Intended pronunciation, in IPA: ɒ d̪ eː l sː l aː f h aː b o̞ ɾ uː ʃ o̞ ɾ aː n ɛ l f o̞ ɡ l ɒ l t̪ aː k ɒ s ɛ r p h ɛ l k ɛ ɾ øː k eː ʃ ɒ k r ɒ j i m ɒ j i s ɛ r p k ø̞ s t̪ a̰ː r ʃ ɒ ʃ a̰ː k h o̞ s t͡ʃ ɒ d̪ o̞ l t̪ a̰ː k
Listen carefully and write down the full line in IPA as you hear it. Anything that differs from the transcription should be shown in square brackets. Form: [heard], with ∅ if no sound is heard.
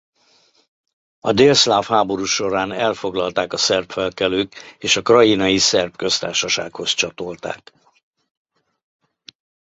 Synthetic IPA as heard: ɒ d̪ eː l [s] l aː f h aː b o̞ ɾ uː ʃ o̞ ɾ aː n ɛ l f o̞ ɡ l ɒ l t̪ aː k ɒ s ɛ r p [f] ɛ l k ɛ [l] øː k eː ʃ ɒ k r ɒ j i [n] ɒ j i s ɛ r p k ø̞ s t̪ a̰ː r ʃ ɒ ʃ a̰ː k h o̞ s t͡ʃ ɒ [t̪] o̞ l t̪ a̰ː k